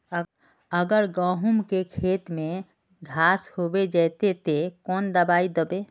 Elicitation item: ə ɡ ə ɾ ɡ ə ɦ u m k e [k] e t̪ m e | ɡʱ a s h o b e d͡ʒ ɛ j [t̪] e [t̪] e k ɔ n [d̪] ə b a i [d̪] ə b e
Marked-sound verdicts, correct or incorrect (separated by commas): incorrect, correct, correct, correct, correct